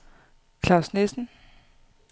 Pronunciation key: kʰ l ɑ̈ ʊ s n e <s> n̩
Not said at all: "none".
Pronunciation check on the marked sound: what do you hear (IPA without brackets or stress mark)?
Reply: s